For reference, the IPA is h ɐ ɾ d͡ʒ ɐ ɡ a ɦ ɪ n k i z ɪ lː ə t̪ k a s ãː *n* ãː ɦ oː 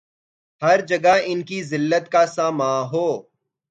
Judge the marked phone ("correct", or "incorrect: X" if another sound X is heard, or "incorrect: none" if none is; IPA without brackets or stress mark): incorrect: m